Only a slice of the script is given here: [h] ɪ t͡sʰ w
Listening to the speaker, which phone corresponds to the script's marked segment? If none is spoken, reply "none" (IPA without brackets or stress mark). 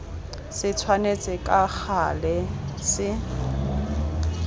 s